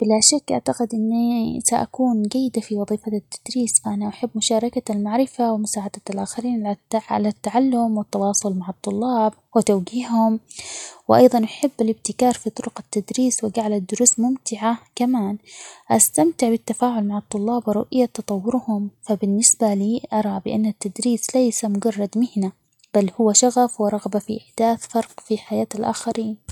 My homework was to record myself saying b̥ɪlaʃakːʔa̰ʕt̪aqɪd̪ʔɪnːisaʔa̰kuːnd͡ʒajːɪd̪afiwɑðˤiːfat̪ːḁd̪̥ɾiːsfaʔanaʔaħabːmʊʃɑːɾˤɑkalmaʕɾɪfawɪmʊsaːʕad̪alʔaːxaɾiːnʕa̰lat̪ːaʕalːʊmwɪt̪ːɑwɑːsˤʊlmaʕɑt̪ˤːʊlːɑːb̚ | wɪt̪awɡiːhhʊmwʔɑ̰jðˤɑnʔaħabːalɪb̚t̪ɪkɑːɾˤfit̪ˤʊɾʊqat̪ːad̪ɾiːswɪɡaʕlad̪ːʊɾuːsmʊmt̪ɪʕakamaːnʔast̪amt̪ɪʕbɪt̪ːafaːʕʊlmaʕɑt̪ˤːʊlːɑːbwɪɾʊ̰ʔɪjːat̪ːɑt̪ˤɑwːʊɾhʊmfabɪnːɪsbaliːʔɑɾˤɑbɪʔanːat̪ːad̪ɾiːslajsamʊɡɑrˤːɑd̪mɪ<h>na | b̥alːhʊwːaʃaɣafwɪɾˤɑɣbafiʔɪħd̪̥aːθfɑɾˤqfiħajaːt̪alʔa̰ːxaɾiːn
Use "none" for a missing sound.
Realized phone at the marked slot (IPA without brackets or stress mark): h